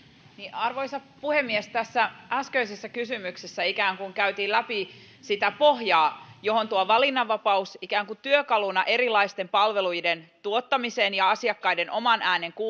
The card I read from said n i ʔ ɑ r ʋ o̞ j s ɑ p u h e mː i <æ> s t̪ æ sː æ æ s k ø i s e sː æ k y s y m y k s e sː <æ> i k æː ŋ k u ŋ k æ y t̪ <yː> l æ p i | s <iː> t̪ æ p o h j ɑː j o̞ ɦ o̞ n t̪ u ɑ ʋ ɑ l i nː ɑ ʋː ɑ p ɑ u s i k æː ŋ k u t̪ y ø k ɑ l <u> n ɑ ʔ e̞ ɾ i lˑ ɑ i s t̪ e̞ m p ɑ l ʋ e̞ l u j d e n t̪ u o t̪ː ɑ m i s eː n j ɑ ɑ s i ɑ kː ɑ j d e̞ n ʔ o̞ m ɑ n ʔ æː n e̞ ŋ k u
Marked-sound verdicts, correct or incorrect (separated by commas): incorrect, correct, incorrect, incorrect, correct